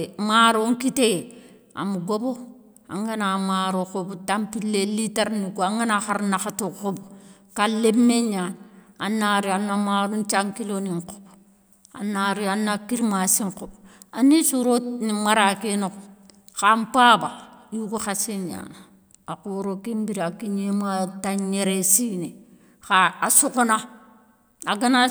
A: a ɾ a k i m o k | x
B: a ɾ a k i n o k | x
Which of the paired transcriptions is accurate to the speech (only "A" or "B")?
B